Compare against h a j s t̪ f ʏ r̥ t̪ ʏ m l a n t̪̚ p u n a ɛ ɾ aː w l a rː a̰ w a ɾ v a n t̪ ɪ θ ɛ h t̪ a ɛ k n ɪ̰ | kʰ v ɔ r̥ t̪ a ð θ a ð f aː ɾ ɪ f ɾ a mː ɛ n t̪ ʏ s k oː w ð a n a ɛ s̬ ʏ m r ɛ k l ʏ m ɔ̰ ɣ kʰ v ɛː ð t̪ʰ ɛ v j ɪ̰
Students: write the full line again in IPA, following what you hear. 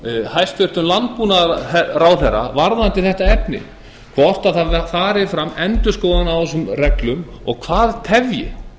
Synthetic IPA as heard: h a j s t̪ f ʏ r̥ t̪ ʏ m l a n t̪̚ p u n a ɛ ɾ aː w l ɛ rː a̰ v a ɾ ð a n t̪ ɪ θ ɛ h t̪ a ɛ p n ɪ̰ | kʰ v ɔ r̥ t̪ a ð θ a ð f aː ɾ ɪ f ɾ a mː ɛ n t̪ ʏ s k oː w ð a n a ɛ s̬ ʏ m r ɛ k l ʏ m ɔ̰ ɣ kʰ v aː ð t̪ʰ ɛ v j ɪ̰